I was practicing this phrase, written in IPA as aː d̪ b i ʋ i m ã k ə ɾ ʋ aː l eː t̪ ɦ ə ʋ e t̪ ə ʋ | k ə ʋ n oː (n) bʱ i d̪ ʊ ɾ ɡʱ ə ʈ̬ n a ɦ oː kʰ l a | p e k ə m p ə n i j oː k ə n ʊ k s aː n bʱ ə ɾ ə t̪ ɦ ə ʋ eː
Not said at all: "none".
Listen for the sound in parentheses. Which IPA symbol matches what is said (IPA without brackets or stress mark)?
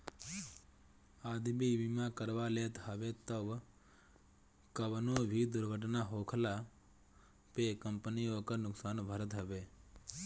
none